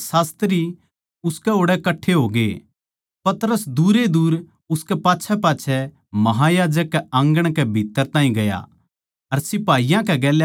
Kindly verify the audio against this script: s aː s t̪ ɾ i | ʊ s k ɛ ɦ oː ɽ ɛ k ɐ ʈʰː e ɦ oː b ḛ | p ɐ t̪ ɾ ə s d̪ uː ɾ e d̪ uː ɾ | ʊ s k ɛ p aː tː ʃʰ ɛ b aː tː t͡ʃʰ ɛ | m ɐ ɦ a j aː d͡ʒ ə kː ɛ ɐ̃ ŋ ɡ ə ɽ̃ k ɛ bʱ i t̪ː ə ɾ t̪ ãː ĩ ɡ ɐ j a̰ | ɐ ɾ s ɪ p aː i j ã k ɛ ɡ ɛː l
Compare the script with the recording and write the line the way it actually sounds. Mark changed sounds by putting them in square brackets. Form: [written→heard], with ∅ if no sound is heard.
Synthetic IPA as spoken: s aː s t̪ ɾ i | ʊ s k ɛ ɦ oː ɽ ɛ k ɐ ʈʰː e ɦ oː [b→ɡ] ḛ | p ɐ t̪ ɾ ə s d̪ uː ɾ e d̪ uː ɾ | ʊ s k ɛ p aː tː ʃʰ ɛ [b→p] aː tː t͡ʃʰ ɛ | m ɐ ɦ a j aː d͡ʒ ə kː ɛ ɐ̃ ŋ ɡ ə ɽ̃ k ɛ bʱ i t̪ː ə ɾ t̪ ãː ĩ ɡ ɐ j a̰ | ɐ ɾ s ɪ p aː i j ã k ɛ ɡ ɛː l

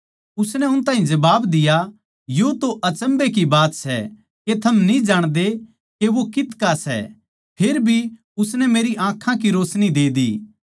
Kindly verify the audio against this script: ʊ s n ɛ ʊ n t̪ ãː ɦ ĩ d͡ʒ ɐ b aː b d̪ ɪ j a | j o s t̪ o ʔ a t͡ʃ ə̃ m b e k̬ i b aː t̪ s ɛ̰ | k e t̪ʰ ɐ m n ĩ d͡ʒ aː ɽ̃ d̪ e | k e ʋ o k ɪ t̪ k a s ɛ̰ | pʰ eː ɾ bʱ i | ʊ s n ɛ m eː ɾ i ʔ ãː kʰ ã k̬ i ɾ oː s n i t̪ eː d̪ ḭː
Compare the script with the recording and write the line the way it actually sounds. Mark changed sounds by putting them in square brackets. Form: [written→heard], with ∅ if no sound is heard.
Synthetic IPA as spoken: ʊ s n ɛ ʊ n t̪ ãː ɦ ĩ d͡ʒ ɐ b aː b d̪ ɪ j a | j o [s→∅] t̪ o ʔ [a→ɐ] t͡ʃ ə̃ m b e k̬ i b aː t̪ s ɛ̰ | k e t̪ʰ ɐ m n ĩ d͡ʒ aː ɽ̃ d̪ e | k e ʋ o k ɪ t̪ k a s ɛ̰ | pʰ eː ɾ bʱ i | ʊ s n ɛ m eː ɾ i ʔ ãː kʰ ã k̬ i ɾ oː s n i [t̪→d̪] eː d̪ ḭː

